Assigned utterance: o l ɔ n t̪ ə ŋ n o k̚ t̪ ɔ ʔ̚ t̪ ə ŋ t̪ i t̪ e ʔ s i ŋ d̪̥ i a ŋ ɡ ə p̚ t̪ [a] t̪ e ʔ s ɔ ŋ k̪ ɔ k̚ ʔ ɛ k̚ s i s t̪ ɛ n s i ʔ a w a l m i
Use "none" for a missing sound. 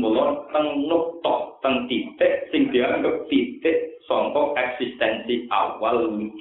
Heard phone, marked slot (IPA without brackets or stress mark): i